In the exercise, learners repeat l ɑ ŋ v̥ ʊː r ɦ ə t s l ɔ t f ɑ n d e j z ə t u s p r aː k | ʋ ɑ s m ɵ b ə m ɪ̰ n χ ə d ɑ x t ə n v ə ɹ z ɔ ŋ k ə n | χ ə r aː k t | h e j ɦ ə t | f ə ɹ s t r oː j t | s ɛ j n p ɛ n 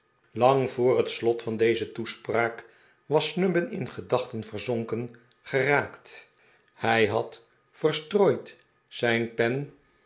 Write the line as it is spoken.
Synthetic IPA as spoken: l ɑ ŋ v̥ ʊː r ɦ ə t s l ɔ t f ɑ n d e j z ə t u s p r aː k | ʋ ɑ s n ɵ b ə n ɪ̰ n χ ə d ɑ χ t ə n v ə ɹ z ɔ ŋ k ə n | χ ə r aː k t | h ɛ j ɦ ɑ t | f ə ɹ s t r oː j t | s ɛ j n p ɛ n